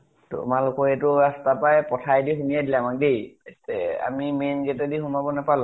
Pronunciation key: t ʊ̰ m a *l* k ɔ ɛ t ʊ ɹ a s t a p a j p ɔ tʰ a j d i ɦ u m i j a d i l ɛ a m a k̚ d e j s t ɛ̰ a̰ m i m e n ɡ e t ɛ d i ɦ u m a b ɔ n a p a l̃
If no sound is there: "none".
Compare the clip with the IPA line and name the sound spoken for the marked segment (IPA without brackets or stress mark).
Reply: l